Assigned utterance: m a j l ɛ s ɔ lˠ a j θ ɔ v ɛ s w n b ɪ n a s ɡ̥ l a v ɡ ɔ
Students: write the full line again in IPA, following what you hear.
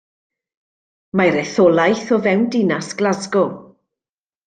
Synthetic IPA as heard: m a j ɾ ɛ θ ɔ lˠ a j θ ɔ v ɛ w n d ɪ n a s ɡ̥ l a z ɡ ɔ